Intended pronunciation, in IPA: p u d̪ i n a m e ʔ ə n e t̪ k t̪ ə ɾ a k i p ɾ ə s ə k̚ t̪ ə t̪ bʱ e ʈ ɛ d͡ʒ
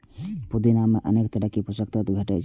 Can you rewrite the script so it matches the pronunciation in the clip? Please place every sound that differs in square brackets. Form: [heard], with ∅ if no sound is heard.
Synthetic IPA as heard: p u d̪ i n a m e ʔ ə n e [∅] k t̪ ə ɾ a k i p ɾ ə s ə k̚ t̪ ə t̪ bʱ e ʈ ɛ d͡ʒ